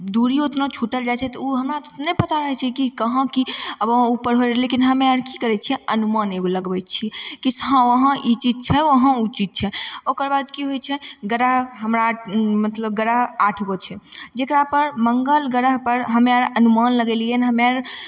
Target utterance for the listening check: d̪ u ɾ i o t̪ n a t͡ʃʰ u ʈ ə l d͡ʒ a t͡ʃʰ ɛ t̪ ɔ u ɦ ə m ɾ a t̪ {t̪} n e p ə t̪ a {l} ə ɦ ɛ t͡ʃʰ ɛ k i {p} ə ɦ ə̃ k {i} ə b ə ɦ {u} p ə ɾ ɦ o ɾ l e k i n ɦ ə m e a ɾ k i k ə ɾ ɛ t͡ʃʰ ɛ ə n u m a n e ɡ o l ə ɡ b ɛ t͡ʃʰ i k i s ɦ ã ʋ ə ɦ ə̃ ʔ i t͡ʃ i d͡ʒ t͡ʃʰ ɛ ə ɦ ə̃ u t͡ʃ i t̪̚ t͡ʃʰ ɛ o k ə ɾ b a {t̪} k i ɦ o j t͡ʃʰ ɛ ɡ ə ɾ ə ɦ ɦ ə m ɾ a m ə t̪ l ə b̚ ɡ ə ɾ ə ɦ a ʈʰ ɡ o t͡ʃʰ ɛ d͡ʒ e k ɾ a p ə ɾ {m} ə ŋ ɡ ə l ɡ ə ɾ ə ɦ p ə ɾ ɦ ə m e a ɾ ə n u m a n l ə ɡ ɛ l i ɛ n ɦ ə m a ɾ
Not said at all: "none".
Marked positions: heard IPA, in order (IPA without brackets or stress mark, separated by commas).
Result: t̪, ɾ, k, i, u, d̪, m